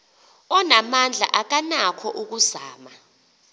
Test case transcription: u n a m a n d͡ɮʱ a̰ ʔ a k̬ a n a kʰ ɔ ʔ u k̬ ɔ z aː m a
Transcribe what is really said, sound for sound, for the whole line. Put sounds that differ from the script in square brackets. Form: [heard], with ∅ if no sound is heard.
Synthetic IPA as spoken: [ɔ] n a m a n d͡ɮʱ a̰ ʔ a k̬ a n a kʰ ɔ ʔ u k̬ [u] z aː m a